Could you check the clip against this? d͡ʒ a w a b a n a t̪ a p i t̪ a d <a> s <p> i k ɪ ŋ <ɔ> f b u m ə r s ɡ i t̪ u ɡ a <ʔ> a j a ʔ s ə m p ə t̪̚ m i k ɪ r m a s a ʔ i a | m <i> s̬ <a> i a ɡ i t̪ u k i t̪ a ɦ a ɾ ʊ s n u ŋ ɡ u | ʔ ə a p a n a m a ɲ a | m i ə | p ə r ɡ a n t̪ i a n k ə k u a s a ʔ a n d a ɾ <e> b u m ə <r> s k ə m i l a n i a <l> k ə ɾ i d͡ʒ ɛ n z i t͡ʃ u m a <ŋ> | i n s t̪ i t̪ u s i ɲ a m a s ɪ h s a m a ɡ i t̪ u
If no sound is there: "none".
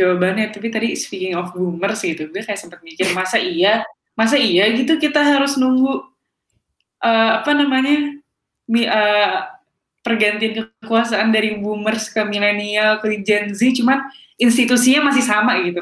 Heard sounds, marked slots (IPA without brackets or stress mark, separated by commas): i, p, ɔ, k, a, a, i, r, l, n